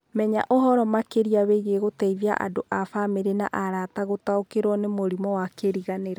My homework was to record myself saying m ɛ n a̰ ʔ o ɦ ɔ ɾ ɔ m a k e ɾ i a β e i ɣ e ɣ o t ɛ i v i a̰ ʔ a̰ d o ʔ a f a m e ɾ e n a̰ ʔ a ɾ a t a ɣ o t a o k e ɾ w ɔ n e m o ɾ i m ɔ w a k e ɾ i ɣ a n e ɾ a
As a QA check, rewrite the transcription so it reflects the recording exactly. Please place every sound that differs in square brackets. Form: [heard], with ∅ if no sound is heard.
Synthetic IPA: m ɛ [ɲ] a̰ ʔ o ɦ ɔ ɾ ɔ m a k e ɾ i a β e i ɣ e ɣ o t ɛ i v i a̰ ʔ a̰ d o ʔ a f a m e ɾ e n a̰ ʔ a ɾ a t a ɣ o t a o k e ɾ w ɔ n e m o ɾ i m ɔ w a k e ɾ i ɣ a n e ɾ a